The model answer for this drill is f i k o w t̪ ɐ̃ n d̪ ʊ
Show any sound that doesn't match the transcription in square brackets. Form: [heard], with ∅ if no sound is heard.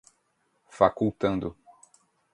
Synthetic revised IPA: f [a] k [u] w t̪ ɐ̃ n d̪ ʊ

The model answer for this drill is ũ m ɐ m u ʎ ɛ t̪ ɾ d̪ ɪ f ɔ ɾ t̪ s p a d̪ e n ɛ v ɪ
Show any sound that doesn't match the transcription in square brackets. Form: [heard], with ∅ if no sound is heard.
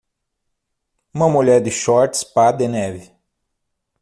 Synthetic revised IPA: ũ m ɐ m u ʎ ɛ [∅] ɾ d̪ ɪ [ʃ] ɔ ɾ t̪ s p a d̪ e n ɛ v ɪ

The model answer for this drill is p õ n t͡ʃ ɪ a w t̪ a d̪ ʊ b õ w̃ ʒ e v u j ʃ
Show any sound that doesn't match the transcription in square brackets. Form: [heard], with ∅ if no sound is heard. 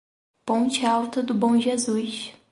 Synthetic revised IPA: p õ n t͡ʃ ɪ a w t̪ [ɐ] d̪ ʊ b õ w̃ ʒ e [z] u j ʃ

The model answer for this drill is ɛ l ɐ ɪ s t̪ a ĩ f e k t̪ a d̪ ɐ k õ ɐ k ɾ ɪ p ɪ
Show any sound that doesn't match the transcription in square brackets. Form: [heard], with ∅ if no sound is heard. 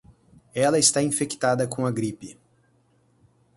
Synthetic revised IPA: ɛ l ɐ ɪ s t̪ a ĩ f e k t̪ a d̪ ɐ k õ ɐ [ɡ] ɾ [i] p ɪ

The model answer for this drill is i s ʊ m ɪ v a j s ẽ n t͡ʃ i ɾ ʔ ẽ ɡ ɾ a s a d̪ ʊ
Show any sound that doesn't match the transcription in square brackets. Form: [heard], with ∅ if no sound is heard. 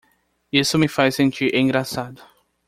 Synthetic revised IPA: i s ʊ m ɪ [f] a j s ẽ n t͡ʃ i ɾ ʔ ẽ ɡ ɾ a s a d̪ ʊ

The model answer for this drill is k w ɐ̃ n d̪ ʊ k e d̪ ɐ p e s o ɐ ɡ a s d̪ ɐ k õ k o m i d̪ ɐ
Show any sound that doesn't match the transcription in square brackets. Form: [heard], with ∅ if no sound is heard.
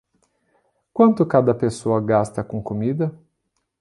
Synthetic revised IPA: k w ɐ̃ n [t̪] ʊ k [a] d̪ ɐ p e s o ɐ ɡ a s [t̪] ɐ k õ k o m i d̪ ɐ

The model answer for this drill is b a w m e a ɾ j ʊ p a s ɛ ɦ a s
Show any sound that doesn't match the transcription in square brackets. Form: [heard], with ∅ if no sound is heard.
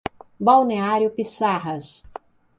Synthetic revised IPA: b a w [n] e a ɾ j ʊ p [i] s [a] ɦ [ɐ] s

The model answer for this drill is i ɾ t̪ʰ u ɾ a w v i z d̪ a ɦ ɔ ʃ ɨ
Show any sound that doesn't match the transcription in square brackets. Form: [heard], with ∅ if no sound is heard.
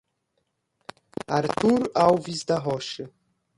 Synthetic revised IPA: [a] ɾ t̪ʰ u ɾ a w v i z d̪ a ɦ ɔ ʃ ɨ

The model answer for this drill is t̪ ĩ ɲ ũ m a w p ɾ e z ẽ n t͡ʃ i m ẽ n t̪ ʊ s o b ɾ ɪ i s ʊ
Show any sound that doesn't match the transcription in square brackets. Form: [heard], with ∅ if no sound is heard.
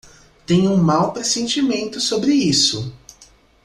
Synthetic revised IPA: t̪ [ẽ] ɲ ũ m a w p ɾ e [s] ẽ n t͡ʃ i m ẽ n t̪ ʊ s o b ɾ ɪ i s ʊ

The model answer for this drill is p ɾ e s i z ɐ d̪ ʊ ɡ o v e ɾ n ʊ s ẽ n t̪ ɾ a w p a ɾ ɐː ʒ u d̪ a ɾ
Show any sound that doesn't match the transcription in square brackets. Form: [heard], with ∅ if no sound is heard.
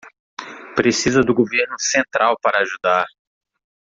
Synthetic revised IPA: p ɾ e s i z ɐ d̪ ʊ ɡ o v e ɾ n ʊ s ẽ n t̪ ɾ a w p a ɾ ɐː ʒ u d̪ a ɾ

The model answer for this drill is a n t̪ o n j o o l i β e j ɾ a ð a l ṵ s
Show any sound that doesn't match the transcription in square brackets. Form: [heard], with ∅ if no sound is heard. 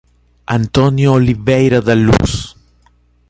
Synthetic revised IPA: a n t̪ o n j o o l i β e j ɾ a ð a l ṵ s

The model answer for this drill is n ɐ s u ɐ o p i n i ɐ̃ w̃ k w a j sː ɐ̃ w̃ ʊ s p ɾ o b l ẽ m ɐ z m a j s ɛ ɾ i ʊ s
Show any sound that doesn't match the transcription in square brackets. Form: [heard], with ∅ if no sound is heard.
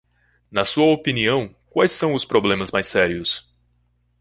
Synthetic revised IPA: n ɐ s u ɐ o p i n i ɐ̃ w̃ k w a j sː ɐ̃ w̃ ʊ s p ɾ o b l ẽ m ɐ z m a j s ɛ ɾ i ʊ s

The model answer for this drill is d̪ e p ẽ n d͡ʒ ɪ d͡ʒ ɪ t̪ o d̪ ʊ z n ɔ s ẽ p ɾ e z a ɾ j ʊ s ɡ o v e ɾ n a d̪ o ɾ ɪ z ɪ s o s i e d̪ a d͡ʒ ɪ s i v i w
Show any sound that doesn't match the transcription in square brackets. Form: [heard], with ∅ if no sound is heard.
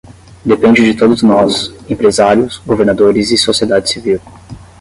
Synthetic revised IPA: d̪ e p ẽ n d͡ʒ ɪ d͡ʒ ɪ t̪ o d̪ ʊ z n ɔ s ẽ p ɾ e z a ɾ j ʊ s ɡ o v e ɾ n a d̪ o ɾ ɪ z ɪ s o s i e d̪ a d͡ʒ ɪ s i v i w

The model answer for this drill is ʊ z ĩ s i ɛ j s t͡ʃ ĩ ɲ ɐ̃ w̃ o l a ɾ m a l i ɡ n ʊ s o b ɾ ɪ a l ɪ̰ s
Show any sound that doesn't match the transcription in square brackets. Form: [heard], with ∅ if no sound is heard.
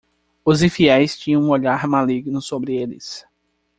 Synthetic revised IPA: ʊ z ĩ [f] i ɛ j s t͡ʃ ĩ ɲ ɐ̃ [ũ] o [ʎ] a ɾ m a l i ɡ n ʊ s o b ɾ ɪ [e] l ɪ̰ s

